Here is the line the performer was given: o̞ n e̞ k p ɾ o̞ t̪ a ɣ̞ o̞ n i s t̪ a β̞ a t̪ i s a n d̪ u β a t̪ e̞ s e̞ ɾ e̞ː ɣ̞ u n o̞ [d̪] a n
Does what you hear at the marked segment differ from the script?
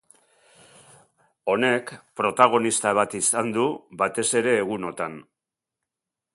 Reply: yes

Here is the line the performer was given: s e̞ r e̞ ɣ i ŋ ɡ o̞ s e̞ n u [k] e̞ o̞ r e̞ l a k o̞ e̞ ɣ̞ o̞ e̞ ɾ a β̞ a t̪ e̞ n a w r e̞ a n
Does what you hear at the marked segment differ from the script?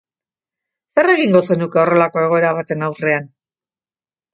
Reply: no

